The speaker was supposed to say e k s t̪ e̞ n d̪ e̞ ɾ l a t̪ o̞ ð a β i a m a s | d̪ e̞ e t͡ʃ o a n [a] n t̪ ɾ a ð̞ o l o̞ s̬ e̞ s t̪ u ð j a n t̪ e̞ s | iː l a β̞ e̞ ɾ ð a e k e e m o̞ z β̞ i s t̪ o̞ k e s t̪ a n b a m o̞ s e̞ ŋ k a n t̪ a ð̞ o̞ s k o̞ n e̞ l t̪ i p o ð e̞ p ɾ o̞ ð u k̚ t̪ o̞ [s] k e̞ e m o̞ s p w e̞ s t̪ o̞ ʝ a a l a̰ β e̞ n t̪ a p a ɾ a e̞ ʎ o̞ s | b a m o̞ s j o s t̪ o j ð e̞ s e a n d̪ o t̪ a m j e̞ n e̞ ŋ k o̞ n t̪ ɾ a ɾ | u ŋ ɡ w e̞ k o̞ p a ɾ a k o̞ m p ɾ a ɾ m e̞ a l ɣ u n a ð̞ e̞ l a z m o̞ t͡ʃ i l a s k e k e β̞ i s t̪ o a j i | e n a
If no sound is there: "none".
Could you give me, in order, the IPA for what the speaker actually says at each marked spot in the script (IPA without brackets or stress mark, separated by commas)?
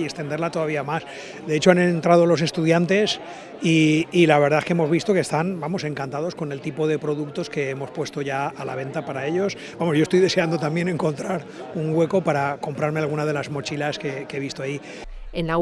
e, s